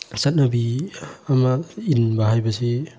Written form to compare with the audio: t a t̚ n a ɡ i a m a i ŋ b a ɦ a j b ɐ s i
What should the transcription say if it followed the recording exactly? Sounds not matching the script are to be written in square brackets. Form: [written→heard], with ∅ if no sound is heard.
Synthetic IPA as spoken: [t→s] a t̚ n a [ɡ→b] i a m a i [ŋ→n] b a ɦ a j b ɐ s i